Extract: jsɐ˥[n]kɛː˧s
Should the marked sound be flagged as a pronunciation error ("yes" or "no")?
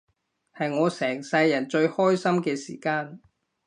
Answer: yes